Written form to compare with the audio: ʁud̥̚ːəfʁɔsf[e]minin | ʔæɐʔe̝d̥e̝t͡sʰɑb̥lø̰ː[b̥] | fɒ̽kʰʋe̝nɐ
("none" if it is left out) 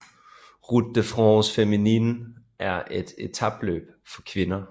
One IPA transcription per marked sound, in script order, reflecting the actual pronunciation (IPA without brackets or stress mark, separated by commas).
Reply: e, b̥